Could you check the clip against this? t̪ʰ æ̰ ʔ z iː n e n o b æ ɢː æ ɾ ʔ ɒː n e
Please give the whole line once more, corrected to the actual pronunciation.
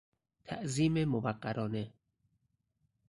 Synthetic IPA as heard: t̪ʰ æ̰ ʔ z iː m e m o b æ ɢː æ ɾ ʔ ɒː n e